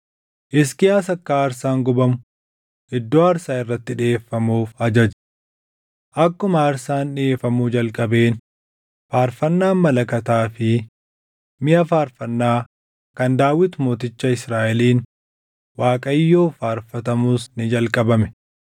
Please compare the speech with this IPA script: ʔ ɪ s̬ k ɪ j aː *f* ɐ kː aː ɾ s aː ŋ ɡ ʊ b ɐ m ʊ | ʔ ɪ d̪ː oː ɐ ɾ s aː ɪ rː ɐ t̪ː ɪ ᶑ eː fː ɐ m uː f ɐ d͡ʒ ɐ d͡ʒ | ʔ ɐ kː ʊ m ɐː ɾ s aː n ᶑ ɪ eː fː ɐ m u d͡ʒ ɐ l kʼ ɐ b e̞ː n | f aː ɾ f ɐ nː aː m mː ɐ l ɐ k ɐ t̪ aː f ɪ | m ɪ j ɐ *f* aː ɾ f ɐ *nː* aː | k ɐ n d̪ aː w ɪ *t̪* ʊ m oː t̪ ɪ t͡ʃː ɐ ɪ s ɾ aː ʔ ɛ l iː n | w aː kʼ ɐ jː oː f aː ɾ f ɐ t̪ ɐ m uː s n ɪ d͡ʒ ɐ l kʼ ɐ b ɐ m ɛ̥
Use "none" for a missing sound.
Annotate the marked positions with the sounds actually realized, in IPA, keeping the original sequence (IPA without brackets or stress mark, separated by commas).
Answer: s, f, nː, t̪